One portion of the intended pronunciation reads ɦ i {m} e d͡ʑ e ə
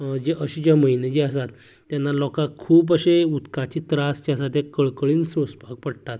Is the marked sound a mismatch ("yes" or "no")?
yes